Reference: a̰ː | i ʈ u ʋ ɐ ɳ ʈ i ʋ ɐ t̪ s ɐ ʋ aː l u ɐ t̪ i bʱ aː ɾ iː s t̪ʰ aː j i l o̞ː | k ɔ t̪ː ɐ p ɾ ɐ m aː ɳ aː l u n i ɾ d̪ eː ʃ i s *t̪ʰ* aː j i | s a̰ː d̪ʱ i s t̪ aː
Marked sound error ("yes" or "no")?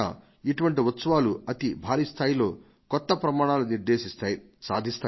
yes